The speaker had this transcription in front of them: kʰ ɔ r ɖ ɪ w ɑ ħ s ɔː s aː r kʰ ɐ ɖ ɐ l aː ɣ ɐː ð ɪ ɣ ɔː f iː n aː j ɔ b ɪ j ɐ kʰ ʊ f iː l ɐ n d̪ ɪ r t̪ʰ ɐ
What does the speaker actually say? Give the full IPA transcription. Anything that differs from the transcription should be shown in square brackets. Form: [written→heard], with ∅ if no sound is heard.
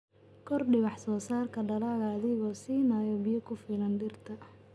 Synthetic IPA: kʰ ɔ r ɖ ɪ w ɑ ħ s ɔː s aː r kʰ ɐ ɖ ɐ l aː ɣ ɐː ð ɪ ɣ ɔː [f→s] iː n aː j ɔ b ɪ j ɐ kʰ ʊ f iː l ɐ n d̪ ɪ r t̪ʰ ɐ

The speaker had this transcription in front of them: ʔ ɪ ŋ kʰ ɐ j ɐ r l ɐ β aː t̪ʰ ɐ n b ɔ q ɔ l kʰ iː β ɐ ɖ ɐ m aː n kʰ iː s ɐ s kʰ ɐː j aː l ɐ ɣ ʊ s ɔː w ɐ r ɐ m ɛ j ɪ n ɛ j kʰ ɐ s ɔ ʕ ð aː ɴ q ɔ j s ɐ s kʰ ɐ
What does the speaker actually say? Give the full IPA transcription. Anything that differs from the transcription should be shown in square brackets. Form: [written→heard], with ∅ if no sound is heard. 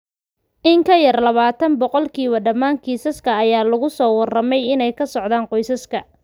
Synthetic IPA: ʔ ɪ ŋ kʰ ɐ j ɐ r l ɐ β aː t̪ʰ ɐ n b ɔ q ɔ l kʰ iː β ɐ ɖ ɐ m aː [n→ŋ] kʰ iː s ɐ s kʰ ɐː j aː l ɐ ɣ ʊ s ɔː w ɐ r ɐ m ɛ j ɪ n ɛ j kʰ ɐ s ɔ ʕ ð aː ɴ q ɔ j s ɐ s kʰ ɐ

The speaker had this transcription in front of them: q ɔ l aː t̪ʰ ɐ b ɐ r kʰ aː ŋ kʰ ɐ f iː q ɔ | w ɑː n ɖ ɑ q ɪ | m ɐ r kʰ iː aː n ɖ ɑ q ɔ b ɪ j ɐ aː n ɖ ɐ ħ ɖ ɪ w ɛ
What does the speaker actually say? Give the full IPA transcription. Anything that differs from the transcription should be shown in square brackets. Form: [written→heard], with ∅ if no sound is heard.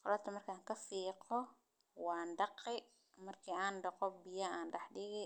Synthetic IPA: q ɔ l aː t̪ʰ ɐ [b→m] ɐ r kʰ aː ŋ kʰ ɐ f iː q ɔ | w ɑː n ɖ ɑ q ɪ | m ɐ r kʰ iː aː n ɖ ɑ q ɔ b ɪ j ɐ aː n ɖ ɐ ħ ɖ ɪ [w→ɣ] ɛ

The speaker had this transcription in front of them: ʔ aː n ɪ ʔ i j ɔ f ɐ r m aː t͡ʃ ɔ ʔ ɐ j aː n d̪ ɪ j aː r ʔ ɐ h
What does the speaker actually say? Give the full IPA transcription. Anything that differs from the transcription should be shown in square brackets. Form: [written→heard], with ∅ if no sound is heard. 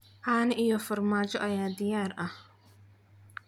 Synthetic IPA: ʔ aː n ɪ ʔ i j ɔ f ɐ r m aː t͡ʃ ɔ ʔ ɐ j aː [n→∅] d̪ ɪ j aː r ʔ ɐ h

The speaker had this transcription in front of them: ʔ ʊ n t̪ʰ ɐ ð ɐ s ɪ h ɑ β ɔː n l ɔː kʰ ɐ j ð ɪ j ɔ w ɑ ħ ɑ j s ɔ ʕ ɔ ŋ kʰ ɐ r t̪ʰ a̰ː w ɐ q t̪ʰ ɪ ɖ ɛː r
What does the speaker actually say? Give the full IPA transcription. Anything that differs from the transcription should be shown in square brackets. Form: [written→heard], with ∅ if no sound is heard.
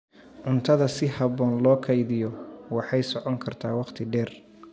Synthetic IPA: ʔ ʊ n t̪ʰ ɐ ð ɐ s ɪ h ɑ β ɔː n l ɔː kʰ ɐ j ð ɪ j ɔ w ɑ ħ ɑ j s ɔ ʕ ɔ ŋ kʰ ɐ r t̪ʰ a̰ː w [ɐ→ɑ] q t̪ʰ ɪ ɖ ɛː r

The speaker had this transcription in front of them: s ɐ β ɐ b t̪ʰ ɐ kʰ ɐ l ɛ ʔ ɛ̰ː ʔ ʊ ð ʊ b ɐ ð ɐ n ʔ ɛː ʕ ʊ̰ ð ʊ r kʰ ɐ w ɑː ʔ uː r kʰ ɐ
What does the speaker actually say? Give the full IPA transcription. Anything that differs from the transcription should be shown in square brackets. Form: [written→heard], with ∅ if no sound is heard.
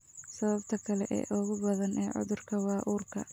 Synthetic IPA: s ɐ β ɐ b t̪ʰ ɐ kʰ ɐ l ɛ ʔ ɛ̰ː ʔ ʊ [ð→ɣ] ʊ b ɐ ð ɐ n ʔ ɛː ʕ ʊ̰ ð ʊ r kʰ ɐ w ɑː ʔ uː r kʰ ɐ

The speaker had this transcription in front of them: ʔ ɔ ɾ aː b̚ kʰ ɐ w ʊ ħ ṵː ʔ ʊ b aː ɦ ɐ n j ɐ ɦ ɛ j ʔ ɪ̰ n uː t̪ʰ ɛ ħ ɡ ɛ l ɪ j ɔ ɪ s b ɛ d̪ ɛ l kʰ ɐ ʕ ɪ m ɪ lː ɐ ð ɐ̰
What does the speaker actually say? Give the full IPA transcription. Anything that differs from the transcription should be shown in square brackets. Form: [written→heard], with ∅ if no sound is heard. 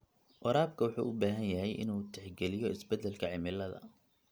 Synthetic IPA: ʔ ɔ ɾ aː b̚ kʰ ɐ w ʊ ħ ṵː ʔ ʊ b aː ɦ ɐ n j ɐ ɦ ɛ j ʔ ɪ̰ n uː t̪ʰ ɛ ħ ɡ ɛ l ɪ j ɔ ɪ s b ɛ d̪ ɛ l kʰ ɐ ʕ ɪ m ɪ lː ɐ ð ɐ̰

